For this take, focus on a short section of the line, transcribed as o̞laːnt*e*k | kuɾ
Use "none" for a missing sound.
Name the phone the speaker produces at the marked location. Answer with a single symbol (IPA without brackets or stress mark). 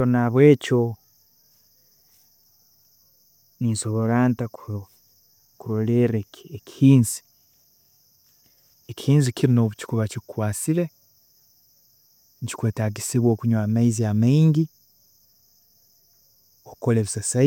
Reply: a